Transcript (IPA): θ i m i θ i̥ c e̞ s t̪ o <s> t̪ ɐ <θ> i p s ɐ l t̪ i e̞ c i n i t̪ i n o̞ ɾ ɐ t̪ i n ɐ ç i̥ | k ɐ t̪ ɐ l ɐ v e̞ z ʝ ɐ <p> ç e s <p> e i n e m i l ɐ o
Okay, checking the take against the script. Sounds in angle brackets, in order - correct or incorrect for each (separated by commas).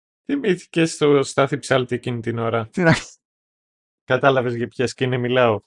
correct, correct, correct, incorrect